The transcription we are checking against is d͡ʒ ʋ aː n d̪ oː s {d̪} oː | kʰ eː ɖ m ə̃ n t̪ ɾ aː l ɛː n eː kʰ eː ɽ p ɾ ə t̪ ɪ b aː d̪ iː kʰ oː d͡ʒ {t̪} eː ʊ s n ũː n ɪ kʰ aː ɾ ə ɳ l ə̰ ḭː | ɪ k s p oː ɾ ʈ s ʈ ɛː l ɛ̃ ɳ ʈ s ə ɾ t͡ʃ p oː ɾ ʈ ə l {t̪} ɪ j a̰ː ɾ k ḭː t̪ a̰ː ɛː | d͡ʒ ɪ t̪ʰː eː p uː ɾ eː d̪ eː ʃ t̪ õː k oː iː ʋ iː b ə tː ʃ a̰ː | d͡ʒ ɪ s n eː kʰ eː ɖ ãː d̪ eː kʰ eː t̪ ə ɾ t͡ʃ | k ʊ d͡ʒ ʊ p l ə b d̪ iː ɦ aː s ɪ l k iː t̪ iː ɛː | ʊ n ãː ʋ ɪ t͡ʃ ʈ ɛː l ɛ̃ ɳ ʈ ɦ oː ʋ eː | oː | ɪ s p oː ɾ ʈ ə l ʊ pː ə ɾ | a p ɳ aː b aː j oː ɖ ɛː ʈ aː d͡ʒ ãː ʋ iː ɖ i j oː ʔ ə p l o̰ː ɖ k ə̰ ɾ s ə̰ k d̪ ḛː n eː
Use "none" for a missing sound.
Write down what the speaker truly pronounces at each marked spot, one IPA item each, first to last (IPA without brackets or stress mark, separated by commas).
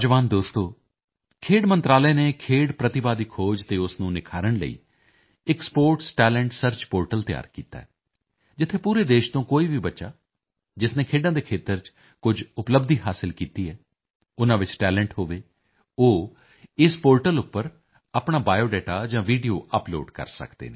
t̪, t̪, t̪